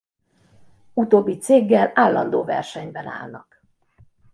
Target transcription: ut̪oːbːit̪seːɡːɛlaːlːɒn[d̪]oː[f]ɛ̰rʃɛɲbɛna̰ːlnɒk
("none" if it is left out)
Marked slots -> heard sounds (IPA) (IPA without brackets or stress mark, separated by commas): d̪, v